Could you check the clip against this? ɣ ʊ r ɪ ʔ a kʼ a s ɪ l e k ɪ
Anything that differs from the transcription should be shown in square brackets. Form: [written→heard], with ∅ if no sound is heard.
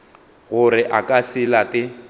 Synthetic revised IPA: ɣ ʊ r ɪ ʔ a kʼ a s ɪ l [e→a] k ɪ